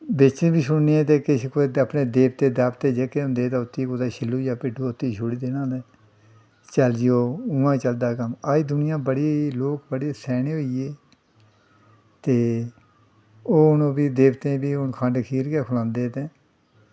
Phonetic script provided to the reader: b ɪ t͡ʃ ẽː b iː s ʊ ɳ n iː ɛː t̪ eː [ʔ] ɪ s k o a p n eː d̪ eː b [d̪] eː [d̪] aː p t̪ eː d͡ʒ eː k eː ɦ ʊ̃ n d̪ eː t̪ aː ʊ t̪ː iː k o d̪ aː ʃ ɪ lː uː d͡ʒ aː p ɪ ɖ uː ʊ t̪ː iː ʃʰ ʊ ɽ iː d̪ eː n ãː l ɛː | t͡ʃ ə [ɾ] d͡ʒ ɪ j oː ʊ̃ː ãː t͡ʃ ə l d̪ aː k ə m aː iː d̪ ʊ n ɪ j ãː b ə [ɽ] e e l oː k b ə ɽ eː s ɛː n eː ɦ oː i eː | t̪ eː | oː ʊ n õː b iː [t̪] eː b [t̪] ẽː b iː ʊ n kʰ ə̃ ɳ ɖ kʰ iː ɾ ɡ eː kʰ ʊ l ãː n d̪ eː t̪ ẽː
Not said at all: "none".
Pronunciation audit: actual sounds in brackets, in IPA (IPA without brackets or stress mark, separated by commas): k, t̪, d̪, l, ɽ, d̪, t̪